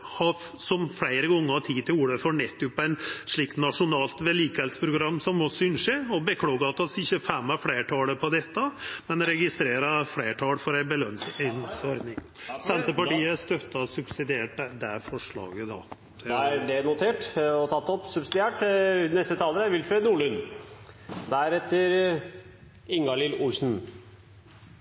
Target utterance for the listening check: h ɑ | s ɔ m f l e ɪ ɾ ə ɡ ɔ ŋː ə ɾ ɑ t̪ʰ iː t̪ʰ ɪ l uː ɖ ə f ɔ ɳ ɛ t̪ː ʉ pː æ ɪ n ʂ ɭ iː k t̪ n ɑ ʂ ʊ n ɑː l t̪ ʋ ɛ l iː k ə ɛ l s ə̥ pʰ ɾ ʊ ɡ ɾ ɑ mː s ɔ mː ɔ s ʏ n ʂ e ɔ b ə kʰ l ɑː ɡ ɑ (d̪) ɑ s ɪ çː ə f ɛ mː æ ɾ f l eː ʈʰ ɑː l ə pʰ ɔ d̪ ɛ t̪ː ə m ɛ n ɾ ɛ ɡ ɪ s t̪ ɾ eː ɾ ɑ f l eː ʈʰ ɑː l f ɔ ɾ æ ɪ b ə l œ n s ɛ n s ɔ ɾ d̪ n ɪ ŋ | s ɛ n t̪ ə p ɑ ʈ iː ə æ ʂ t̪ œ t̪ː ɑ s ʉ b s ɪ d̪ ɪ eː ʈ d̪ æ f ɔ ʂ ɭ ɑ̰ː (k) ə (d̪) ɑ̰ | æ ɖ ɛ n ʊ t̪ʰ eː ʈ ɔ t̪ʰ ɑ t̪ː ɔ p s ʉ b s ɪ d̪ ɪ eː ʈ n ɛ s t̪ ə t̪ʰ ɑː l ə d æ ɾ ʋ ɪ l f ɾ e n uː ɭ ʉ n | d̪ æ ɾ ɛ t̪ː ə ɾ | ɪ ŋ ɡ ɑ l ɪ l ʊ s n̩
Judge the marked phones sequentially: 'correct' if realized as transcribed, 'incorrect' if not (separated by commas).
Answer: incorrect, incorrect, correct